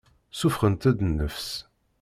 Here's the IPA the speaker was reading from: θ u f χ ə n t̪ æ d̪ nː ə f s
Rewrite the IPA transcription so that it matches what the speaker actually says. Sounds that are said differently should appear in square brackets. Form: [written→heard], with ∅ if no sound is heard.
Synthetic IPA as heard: [θ→s] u f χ ə n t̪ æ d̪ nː ə f s